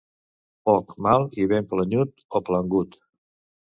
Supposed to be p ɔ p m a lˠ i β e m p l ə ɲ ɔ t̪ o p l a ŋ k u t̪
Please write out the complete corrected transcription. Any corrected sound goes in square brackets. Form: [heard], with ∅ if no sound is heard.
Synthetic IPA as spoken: p ɔ [k] m a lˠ i β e m p l ə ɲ [u] t̪ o p l [ə] ŋ [ɡ] u t̪